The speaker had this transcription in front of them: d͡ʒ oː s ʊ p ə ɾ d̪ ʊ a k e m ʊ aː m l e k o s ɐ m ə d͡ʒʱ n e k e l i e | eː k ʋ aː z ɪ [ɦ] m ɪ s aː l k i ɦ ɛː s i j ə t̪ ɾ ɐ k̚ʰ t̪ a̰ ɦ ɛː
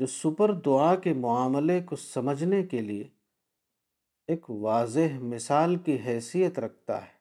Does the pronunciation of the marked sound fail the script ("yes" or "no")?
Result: no